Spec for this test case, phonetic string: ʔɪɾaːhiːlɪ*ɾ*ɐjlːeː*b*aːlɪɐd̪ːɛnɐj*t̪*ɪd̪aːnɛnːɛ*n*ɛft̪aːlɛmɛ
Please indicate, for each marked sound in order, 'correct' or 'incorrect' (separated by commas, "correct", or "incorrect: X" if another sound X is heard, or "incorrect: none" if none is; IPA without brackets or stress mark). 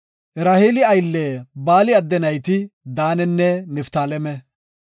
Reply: incorrect: none, correct, correct, correct